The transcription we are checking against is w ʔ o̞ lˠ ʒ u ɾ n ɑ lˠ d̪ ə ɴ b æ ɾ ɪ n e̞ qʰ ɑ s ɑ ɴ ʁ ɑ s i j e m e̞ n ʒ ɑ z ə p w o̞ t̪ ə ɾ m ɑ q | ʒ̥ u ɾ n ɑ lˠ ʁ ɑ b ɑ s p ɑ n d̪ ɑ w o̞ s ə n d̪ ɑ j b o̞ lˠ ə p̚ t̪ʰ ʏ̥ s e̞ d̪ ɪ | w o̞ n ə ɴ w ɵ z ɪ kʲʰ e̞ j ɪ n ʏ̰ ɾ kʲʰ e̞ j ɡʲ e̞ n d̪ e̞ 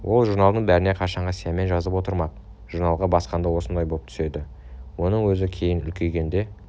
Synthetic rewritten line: w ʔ o̞ lˠ ʒ u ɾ n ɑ lˠ d̪ ə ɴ b æ ɾ ɪ n e̞ qʰ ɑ ʃ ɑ ɴ ʁ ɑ s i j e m e̞ n ʒ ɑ z ə p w o̞ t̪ ə ɾ m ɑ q | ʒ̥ u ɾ n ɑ lˠ ʁ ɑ b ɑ s q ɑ n d̪ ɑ w o̞ s ə n d̪ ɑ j b o̞ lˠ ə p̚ t̪ʰ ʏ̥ s e̞ d̪ ɪ | w o̞ n ə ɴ w ɵ z ɪ kʲʰ e̞ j ɪ n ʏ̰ l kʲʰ e̞ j ɡʲ e̞ n d̪ e̞